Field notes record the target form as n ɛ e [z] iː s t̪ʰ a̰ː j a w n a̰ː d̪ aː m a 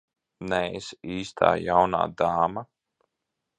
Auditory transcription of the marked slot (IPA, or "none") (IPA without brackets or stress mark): s